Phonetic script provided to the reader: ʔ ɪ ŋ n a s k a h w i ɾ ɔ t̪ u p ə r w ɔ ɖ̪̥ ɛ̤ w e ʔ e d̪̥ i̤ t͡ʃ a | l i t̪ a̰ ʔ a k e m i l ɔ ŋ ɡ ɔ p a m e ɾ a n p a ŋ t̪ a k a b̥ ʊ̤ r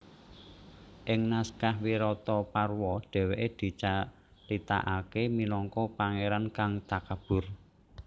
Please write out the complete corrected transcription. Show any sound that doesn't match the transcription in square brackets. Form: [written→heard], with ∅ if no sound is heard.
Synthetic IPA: ʔ ɪ ŋ n a s k a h w i ɾ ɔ t̪ [u→ɔ] p [ə→a] r w ɔ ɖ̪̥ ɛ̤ w e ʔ e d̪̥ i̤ t͡ʃ a | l i t̪ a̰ ʔ a k e m i l ɔ ŋ [ɡ→k] ɔ p a [m→ŋ] e ɾ a n [p→k] a ŋ t̪ a k a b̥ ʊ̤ r